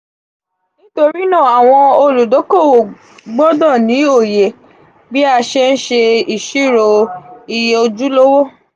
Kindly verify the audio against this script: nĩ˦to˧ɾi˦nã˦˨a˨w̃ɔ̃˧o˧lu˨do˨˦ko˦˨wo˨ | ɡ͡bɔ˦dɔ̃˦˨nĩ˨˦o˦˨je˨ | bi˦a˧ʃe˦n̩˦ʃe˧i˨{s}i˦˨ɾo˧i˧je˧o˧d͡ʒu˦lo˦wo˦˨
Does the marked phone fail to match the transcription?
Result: yes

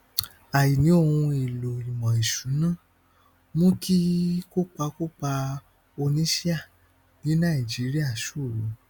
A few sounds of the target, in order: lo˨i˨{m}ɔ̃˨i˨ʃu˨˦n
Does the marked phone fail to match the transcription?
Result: no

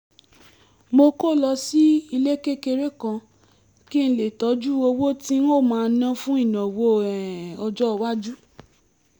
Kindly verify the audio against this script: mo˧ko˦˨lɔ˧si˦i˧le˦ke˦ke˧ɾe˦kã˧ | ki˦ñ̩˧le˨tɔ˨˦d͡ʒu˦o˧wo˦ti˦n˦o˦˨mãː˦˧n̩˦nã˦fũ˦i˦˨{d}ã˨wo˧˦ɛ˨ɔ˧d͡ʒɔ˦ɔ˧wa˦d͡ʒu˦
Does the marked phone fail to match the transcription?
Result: yes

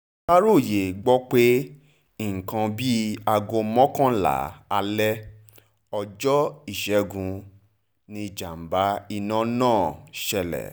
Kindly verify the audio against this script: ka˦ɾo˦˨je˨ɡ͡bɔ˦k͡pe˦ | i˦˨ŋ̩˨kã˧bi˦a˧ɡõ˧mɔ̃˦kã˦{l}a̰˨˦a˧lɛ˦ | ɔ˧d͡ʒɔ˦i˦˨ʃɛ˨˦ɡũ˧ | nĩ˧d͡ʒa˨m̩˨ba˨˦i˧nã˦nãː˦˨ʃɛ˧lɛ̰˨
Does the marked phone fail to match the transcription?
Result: no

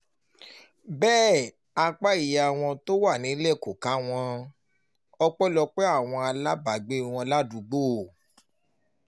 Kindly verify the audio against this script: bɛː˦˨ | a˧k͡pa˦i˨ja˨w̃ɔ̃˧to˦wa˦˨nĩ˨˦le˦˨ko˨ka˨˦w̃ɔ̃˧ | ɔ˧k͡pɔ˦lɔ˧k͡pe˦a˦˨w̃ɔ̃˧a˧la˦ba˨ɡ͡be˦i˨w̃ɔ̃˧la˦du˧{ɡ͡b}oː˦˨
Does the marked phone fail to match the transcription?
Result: no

